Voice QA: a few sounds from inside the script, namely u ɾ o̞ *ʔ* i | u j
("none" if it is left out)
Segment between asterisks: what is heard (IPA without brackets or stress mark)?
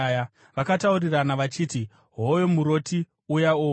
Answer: t